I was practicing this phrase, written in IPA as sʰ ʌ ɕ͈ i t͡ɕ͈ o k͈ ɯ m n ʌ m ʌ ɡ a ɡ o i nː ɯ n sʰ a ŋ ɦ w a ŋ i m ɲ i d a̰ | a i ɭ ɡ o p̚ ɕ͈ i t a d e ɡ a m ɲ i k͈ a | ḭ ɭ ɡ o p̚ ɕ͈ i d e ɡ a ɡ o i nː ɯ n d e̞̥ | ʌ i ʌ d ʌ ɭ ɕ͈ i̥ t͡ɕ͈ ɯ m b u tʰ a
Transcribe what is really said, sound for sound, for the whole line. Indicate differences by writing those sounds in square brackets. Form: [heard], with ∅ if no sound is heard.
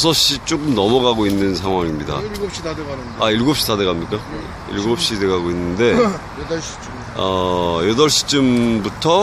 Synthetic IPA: sʰ ʌ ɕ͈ i t͡ɕ͈ o k͈ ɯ m n ʌ m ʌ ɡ a ɡ o i nː ɯ n sʰ a ŋ ɦ w a ŋ i m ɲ i d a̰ | a i ɭ ɡ o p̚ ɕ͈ i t a d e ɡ a m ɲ i k͈ a | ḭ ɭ ɡ o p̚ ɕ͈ i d e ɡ a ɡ o i nː ɯ n d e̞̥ | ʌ [j] ʌ d ʌ ɭ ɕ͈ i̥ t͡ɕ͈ ɯ m b u tʰ [ʌ]